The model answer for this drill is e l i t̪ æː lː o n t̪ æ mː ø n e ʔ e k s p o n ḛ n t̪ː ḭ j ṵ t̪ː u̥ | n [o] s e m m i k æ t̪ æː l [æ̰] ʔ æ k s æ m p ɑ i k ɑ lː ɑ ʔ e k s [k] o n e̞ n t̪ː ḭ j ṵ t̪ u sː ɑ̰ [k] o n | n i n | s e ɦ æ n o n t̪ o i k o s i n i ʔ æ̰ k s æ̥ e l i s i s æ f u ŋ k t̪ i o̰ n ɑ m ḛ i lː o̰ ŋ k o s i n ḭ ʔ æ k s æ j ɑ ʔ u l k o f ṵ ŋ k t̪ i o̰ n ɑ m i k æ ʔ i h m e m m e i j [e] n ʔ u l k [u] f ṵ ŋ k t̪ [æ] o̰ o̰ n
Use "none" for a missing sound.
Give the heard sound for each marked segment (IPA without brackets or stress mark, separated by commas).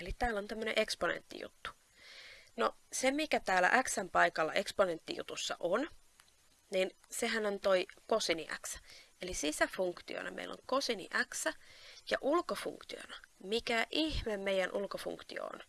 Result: o, æ̰, p, ʔ, æ, o, i